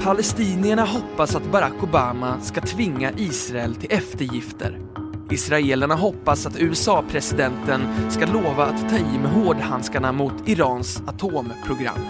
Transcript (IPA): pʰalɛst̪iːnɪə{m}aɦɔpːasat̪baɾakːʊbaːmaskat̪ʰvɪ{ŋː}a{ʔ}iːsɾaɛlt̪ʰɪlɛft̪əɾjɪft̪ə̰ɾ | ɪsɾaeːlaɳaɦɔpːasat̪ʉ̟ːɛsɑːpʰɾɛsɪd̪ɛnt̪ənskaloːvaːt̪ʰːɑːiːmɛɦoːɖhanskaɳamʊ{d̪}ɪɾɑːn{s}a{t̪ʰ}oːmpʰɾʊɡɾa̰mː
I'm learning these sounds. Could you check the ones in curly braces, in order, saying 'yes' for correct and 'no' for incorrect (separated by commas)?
no, yes, yes, no, yes, yes